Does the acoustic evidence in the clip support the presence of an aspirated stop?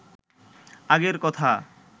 yes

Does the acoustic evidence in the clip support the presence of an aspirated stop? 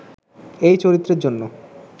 no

